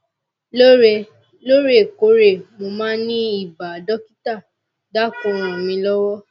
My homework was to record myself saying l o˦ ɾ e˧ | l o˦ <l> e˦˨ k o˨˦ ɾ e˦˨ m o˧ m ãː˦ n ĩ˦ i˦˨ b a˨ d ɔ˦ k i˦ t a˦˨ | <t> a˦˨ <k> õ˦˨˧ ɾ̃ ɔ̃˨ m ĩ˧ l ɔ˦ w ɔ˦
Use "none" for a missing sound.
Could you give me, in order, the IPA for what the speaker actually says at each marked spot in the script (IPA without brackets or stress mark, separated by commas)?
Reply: ɾ, d, k